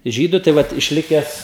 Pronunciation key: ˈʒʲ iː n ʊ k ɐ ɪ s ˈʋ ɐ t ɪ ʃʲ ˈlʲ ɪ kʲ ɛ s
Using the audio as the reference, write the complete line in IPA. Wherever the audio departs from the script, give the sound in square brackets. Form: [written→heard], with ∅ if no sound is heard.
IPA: ˈʒʲ iː [n→d] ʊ [k→t] ɐ ɪ [s→∅] ˈʋ ɐ t ɪ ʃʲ ˈlʲ ɪ kʲ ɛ s